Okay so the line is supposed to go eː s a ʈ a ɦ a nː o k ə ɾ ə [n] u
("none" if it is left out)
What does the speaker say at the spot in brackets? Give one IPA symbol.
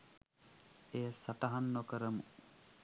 m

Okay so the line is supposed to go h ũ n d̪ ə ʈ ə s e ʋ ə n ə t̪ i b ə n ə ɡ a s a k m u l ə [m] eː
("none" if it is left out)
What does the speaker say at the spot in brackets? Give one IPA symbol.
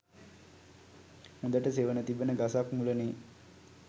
n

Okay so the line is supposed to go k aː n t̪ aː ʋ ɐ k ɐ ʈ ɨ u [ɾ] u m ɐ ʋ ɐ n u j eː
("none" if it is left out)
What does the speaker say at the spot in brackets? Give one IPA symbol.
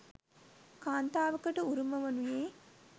ɾ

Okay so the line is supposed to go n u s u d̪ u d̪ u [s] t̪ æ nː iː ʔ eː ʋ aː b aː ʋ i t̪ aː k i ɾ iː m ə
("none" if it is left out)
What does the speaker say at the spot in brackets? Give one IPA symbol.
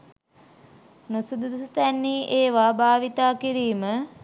s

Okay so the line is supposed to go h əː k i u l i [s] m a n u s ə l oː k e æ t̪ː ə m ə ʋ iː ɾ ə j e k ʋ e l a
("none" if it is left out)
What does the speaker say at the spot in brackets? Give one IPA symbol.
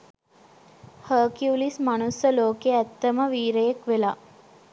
s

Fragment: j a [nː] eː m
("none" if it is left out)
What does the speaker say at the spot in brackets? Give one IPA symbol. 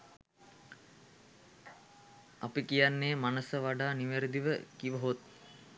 nː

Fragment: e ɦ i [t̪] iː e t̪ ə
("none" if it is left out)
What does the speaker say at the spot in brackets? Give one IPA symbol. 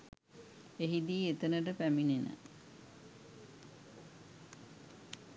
d̪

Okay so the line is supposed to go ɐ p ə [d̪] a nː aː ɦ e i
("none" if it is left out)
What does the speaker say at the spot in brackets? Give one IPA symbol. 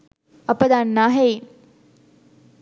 d̪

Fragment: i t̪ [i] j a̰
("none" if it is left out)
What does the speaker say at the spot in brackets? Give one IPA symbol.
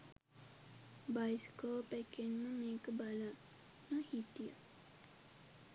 i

